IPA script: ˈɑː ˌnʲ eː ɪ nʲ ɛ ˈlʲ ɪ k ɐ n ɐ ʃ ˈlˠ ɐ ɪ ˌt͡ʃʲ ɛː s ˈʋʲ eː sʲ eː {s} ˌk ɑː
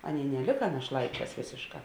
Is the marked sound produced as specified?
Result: no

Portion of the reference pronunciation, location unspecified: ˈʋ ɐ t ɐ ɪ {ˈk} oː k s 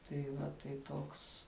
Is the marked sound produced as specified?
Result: no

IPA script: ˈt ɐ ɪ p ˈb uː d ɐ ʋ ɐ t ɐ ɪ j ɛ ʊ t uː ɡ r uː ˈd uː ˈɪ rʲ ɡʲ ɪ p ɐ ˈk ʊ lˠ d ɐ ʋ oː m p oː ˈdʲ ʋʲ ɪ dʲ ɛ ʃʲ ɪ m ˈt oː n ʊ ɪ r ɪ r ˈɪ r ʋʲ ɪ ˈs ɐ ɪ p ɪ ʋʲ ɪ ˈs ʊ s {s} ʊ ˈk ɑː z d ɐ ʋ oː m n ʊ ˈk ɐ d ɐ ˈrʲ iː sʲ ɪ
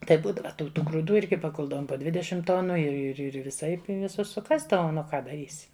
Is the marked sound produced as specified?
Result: yes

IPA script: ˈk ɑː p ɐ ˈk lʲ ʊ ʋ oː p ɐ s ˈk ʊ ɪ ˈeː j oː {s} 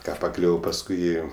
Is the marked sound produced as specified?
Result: no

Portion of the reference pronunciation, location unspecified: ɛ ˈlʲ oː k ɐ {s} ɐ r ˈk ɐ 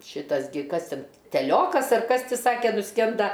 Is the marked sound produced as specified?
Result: yes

